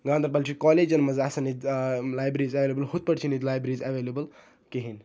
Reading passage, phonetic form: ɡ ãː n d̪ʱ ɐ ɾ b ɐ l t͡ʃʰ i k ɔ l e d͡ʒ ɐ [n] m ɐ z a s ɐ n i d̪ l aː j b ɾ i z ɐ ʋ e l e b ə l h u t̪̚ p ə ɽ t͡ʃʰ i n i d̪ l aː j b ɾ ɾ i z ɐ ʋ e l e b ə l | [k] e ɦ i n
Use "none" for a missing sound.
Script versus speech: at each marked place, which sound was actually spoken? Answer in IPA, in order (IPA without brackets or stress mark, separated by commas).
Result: n, k